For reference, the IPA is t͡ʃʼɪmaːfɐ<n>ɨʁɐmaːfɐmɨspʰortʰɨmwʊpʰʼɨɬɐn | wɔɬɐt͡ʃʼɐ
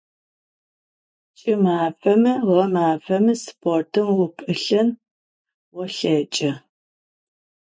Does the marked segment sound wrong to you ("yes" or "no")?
yes